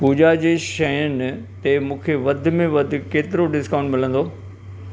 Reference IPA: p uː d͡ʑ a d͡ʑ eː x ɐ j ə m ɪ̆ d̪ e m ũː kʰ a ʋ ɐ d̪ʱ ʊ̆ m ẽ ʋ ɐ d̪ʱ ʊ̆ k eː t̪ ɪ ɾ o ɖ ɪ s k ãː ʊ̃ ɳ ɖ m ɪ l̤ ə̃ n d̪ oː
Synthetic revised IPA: p uː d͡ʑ a d͡ʑ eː ʃ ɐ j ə n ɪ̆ t̪ e m ũː kʰ e ʋ ɐ d̪ʱ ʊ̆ m ẽ ʋ ɐ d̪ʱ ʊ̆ k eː t̪ ɪ ɾ o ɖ ɪ s k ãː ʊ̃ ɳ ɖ m ɪ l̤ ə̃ n d̪ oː